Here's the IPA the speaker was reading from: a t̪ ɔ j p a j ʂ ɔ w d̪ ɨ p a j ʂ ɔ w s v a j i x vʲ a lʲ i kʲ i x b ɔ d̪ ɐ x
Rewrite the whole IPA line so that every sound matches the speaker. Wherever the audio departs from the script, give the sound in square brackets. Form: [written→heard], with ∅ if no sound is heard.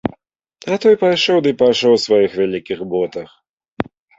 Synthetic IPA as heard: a t̪ ɔ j p a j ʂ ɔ w d̪ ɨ p a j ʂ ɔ w s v a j i x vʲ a lʲ i kʲ i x b ɔ [d̪→t̪] ɐ x